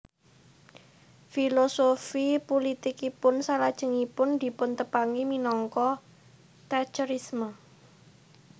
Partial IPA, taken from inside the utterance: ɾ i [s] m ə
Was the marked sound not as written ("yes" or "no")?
no